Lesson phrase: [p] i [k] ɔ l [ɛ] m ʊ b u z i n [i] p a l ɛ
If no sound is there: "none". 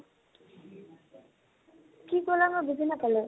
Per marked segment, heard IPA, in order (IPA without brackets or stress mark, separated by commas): k, k, a, a